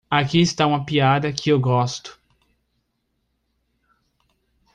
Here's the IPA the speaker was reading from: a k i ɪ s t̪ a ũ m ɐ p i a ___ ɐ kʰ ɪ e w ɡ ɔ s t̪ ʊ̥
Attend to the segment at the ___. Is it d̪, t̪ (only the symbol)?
d̪